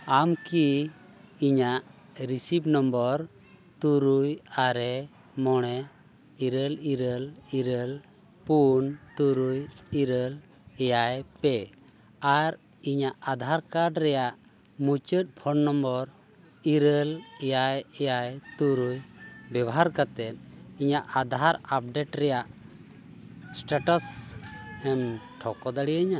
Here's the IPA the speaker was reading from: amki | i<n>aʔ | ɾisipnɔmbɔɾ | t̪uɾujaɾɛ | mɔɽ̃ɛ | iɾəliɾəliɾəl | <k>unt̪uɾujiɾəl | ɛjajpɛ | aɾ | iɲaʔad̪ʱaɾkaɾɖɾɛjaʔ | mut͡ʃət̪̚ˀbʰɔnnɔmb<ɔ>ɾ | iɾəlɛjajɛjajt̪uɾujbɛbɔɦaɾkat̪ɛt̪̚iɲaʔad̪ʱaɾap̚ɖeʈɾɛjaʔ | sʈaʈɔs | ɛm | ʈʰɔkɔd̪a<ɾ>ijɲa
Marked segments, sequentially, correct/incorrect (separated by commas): incorrect, incorrect, correct, incorrect